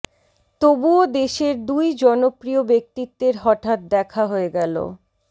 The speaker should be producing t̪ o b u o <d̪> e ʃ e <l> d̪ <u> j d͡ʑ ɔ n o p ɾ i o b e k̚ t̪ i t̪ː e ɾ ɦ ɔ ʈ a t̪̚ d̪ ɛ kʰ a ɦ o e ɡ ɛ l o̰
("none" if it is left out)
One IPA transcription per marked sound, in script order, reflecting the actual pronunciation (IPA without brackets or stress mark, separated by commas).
d̪, ɾ, u